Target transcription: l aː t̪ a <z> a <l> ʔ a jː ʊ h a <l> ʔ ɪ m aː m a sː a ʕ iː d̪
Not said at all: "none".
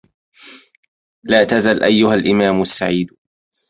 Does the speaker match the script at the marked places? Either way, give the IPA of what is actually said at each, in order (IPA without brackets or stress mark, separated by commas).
z, l, l